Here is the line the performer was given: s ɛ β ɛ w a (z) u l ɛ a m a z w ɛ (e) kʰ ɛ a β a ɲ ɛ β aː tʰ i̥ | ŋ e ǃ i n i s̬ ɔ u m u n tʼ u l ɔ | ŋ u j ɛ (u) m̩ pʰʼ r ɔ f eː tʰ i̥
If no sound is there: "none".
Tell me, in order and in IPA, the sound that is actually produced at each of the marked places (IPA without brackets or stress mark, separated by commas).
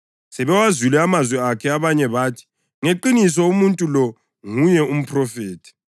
z, a, u